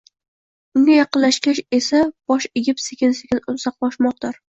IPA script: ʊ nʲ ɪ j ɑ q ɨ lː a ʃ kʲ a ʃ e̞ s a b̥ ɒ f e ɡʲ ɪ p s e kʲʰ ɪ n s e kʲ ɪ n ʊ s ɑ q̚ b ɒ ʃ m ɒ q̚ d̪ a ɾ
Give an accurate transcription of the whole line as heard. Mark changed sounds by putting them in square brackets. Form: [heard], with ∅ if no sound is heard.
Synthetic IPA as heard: ʊ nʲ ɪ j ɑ q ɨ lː a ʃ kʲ a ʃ e̞ s a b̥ ɒ [ʃ] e ɡʲ ɪ p s e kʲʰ ɪ n s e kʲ ɪ n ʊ s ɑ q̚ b ɒ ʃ m ɒ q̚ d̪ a ɾ